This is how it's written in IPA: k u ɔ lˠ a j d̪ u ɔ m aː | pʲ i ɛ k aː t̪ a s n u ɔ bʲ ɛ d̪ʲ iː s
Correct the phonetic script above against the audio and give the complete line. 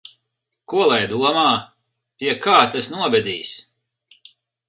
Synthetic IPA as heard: k u ɔ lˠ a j d̪ u ɔ m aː | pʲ i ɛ k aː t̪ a s n u ɔ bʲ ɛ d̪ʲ iː s